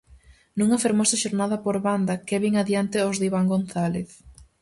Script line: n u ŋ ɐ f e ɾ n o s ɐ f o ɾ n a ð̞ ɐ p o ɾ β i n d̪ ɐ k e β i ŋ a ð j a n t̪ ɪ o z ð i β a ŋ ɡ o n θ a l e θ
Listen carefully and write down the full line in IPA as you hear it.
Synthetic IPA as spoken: n u ŋ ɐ f e ɾ m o s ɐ ʃ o ɾ n a ð̞ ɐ p o ɾ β a n d̪ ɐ k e β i ŋ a ð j a n t̪ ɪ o z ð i β a ŋ ɡ o n θ a l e θ